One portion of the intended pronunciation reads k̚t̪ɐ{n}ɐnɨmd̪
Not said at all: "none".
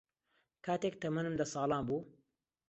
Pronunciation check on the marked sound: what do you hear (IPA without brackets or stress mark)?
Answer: m